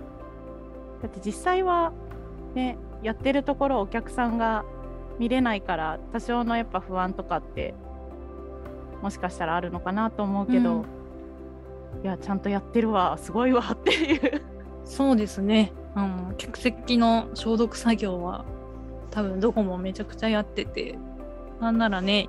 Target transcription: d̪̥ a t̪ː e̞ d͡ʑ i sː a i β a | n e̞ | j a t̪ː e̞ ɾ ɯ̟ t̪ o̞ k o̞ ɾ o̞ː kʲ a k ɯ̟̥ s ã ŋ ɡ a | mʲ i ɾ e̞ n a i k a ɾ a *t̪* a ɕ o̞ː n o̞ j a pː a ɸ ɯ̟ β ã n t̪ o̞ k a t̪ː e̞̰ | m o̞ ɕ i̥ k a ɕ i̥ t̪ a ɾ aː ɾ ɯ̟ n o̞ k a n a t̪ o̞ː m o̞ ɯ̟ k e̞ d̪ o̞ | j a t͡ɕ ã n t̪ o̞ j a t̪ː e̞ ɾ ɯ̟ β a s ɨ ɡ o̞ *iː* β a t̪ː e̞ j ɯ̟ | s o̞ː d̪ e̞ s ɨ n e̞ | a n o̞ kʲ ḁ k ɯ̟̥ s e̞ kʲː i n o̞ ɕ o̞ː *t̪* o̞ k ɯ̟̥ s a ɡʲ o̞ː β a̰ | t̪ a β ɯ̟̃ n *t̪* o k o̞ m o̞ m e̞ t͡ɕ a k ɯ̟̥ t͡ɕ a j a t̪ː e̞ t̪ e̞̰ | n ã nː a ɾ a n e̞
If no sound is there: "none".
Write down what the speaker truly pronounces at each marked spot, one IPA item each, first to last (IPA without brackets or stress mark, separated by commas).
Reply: t̪, i, d̪, d̪